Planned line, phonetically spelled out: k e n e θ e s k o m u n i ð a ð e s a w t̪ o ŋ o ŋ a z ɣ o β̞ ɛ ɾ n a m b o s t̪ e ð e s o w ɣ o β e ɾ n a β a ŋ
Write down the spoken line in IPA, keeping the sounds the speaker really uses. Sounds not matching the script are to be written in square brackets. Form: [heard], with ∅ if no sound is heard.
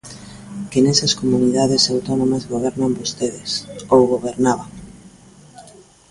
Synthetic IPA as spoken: k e n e [s] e s k o m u n i ð a ð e s a w t̪ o [n] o [m] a z ɣ o β̞ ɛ ɾ n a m b o s t̪ e ð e s o w ɣ o β e ɾ n a β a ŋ